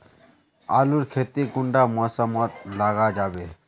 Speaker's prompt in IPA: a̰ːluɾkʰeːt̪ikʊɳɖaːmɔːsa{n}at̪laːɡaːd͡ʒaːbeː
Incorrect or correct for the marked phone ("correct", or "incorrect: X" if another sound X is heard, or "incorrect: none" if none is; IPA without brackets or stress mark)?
incorrect: m